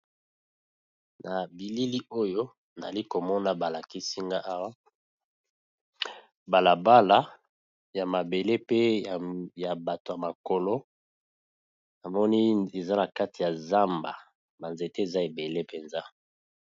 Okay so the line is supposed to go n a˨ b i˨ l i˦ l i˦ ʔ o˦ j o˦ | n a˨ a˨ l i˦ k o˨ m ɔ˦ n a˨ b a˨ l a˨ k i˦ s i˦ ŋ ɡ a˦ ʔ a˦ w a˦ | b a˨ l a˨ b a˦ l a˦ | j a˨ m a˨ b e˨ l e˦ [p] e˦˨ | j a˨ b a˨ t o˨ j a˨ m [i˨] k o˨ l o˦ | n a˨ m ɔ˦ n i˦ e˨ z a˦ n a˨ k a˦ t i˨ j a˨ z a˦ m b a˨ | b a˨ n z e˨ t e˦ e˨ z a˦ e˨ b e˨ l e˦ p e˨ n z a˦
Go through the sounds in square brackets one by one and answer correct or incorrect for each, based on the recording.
correct, incorrect

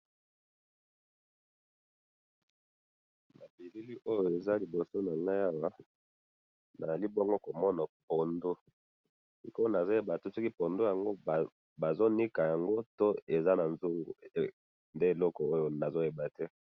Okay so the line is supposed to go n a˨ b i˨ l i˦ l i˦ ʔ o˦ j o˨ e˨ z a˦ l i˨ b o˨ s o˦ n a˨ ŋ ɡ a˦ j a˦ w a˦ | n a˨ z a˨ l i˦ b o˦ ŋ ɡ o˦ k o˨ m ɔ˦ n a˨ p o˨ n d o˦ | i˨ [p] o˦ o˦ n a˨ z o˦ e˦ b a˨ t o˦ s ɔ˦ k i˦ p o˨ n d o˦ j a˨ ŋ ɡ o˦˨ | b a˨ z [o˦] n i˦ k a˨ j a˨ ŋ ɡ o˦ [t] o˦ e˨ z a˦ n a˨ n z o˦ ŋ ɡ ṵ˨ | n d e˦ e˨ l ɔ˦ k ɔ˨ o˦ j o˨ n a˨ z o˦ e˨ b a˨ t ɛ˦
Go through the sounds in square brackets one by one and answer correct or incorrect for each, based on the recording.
incorrect, correct, correct

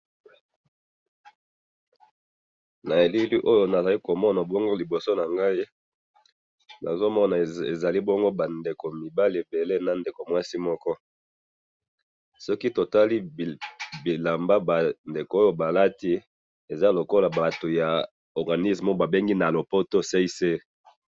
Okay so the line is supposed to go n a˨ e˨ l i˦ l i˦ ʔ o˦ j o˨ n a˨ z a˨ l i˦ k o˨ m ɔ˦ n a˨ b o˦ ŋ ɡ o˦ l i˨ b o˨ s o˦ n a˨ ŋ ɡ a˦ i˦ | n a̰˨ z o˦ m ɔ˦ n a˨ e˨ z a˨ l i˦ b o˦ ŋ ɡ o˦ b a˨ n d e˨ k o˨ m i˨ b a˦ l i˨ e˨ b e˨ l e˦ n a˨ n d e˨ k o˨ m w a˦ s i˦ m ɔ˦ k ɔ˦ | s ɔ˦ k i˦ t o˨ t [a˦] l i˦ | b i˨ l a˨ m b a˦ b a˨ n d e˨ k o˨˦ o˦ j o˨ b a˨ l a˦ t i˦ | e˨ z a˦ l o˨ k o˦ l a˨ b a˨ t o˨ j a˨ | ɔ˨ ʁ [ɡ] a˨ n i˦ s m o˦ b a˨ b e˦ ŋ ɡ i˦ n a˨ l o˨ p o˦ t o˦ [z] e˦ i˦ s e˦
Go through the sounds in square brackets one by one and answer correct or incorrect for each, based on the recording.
correct, correct, incorrect

